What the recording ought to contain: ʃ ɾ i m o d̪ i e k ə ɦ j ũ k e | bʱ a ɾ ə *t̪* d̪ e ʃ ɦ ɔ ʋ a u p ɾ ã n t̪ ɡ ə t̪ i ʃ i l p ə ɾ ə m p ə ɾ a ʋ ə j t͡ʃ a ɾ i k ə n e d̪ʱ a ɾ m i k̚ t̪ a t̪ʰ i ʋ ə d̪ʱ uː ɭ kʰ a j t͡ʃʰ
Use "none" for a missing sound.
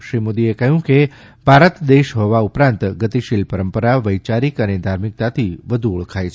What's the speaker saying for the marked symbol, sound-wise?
t̪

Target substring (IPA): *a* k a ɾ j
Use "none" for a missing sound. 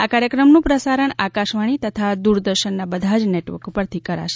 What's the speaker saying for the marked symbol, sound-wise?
a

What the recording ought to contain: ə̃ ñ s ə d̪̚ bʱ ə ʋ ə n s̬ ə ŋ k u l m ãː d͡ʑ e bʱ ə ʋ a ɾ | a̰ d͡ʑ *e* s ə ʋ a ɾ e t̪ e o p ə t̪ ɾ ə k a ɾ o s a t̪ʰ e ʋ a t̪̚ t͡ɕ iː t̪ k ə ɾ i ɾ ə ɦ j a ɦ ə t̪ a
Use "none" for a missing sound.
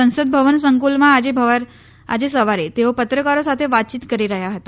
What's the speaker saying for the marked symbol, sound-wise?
e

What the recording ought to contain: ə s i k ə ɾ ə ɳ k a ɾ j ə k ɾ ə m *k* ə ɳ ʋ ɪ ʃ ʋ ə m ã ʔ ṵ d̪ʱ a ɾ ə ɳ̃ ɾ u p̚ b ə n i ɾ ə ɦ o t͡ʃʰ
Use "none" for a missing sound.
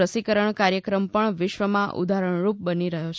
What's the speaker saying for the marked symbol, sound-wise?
p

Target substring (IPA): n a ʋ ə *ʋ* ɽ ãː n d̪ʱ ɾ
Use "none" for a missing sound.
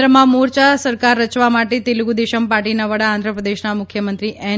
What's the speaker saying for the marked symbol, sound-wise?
none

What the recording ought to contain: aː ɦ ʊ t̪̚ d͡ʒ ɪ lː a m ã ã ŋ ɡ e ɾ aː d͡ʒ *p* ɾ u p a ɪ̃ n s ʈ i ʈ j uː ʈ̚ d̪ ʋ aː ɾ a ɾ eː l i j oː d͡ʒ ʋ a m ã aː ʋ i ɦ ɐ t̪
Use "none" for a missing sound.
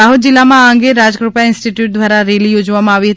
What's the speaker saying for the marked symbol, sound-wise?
k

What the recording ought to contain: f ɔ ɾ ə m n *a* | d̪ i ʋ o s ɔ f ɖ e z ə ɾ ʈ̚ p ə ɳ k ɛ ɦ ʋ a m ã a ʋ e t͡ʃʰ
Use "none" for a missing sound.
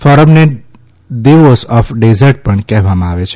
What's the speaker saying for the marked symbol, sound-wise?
e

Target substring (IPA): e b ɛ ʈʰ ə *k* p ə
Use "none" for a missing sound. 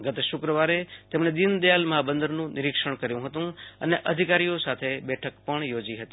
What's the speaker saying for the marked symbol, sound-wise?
k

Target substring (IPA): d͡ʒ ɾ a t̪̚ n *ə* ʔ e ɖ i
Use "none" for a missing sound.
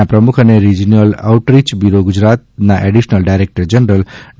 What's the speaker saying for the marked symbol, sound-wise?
a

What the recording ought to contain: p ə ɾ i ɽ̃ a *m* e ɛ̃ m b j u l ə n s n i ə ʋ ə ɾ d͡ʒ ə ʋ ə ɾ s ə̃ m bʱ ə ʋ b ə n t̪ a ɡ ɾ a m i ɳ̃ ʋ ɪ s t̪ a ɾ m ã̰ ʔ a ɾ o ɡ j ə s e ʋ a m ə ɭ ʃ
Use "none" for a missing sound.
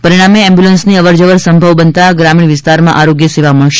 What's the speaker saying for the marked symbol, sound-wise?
m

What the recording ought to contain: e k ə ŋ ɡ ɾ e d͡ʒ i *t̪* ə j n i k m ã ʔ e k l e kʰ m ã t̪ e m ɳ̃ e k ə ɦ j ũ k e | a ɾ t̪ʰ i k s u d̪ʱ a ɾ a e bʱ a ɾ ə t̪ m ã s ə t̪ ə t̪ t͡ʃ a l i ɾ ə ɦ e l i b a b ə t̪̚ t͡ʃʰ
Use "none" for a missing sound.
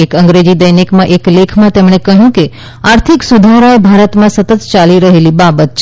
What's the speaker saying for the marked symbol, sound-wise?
d̪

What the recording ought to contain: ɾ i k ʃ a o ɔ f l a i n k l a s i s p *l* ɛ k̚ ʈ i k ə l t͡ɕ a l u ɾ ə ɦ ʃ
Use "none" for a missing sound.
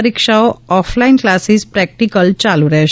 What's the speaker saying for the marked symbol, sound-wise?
ɾ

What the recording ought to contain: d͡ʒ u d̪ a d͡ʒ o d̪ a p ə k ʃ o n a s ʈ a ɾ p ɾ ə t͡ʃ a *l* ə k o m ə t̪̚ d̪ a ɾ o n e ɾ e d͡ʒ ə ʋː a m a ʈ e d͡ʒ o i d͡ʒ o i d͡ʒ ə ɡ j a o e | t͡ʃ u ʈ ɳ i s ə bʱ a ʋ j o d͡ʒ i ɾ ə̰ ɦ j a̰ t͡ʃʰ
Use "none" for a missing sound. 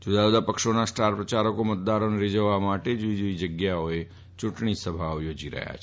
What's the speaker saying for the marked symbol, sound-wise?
ɾ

